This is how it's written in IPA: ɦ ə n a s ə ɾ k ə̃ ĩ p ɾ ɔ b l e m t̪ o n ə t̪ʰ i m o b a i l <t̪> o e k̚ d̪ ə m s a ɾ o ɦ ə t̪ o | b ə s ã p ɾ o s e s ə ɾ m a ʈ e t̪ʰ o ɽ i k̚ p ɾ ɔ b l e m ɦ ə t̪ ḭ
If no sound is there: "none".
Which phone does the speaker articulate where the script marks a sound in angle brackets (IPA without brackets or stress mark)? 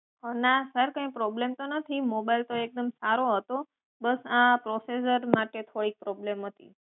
t̪